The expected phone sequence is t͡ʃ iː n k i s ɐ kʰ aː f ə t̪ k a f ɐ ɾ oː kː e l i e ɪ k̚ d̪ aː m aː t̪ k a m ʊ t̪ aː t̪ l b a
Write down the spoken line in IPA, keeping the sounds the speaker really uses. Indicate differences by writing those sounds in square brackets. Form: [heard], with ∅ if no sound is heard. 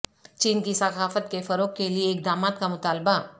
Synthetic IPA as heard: t͡ʃ iː n k i s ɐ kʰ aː f ə t̪ k [e] f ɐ ɾ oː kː e l i e ɪ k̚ d̪ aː m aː t̪ k a m ʊ t̪ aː [∅] l b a